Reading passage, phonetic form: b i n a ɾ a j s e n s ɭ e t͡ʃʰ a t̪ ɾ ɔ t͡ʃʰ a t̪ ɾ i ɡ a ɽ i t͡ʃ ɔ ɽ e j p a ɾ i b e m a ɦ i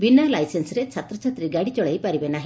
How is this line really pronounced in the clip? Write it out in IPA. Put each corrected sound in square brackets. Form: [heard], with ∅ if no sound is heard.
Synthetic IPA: b i n a [l] a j s e n s [ɾ] e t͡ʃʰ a t̪ ɾ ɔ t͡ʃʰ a t̪ ɾ i ɡ a ɽ i t͡ʃ ɔ [ɭ] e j p a ɾ i b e [n] a ɦ i

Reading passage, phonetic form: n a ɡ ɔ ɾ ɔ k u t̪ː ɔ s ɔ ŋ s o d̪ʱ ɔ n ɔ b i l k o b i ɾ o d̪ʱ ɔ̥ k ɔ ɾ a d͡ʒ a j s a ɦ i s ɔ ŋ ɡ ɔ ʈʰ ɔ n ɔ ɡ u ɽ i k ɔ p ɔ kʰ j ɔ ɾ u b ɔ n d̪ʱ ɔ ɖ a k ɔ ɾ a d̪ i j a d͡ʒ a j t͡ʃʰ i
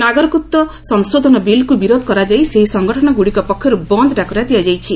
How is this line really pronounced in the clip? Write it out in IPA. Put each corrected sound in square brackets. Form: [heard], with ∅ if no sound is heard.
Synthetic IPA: n a ɡ ɔ ɾ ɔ k u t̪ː ɔ s ɔ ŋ s o d̪ʱ ɔ n ɔ b i l k [u] b i ɾ o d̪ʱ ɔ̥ k ɔ ɾ a d͡ʒ a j s [e] ɦ i s ɔ ŋ ɡ ɔ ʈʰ ɔ n ɔ ɡ u ɽ i k ɔ p ɔ kʰ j ɔ ɾ u b ɔ n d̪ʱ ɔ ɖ a k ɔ ɾ a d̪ i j a d͡ʒ a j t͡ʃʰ i

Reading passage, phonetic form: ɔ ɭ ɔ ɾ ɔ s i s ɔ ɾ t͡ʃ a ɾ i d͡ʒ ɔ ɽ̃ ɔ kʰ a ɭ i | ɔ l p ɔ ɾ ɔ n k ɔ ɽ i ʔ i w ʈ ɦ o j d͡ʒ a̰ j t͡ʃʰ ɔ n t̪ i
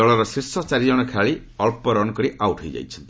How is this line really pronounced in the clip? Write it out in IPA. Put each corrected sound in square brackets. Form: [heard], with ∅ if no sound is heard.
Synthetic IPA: ɔ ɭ ɔ ɾ ɔ s i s ɔ [∅] t͡ʃ a ɾ i d͡ʒ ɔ ɽ̃ ɔ kʰ a ɭ i | ɔ l p ɔ ɾ ɔ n k ɔ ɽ i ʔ [a] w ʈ ɦ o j d͡ʒ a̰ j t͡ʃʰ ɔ n t̪ i

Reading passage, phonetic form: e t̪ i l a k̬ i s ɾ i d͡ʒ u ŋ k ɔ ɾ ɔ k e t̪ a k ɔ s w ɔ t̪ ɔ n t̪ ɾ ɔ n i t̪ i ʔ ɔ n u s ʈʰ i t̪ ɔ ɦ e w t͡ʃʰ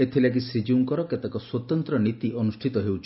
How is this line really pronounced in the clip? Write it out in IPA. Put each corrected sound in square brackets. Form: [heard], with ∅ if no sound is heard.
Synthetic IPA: e [t̪ʰ] i l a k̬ i s ɾ i d͡ʒ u ŋ k ɔ ɾ ɔ k e t̪ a k ɔ s w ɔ t̪ ɔ n t̪ ɾ ɔ n i t̪ i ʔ ɔ n u s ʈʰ i t̪ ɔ ɦ e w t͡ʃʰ

